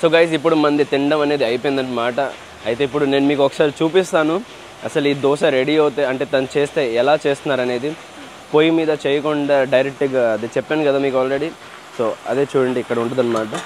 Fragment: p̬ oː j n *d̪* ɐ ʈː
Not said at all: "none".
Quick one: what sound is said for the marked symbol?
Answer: d̪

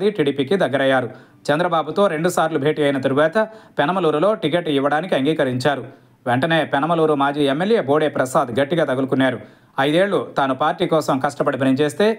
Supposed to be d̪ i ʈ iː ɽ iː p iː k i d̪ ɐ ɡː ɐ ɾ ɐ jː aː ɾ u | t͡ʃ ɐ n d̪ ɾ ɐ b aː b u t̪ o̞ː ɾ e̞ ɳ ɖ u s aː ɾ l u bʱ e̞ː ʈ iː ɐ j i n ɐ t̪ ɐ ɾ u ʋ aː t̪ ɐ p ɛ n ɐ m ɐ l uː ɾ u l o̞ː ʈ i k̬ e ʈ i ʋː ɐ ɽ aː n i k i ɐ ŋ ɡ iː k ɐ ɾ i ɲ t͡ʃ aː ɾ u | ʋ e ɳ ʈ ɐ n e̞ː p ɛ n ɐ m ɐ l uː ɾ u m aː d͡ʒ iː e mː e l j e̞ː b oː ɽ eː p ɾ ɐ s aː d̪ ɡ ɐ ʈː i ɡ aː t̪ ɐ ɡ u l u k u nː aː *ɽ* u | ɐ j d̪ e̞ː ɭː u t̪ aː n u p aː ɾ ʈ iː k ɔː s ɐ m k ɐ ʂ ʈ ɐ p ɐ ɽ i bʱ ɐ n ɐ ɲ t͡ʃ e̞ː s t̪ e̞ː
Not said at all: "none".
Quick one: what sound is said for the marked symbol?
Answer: ɾ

